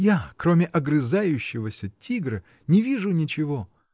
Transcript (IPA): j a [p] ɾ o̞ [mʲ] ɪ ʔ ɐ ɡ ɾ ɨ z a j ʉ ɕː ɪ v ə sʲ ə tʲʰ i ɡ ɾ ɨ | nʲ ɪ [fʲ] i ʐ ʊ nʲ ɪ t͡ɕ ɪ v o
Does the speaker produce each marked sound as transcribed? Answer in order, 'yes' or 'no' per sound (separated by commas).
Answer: no, yes, no